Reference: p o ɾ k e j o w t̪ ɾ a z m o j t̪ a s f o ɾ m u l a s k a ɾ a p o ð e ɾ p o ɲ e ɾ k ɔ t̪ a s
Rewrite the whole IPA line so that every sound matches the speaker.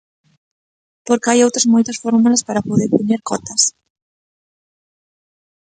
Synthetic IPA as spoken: p o ɾ k a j o w t̪ ɾ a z m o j t̪ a s f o ɾ m u l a s p a ɾ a p o ð e ɾ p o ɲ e ɾ k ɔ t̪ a s